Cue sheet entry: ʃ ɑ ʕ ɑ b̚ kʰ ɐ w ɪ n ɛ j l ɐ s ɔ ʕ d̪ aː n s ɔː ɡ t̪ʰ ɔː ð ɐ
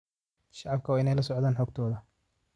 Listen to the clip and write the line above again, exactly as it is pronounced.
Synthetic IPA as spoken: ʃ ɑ ʕ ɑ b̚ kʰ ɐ w ɪ n ɛ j l ɐ s ɔ ʕ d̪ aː n ħ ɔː ɡ t̪ʰ ɔː ð ɐ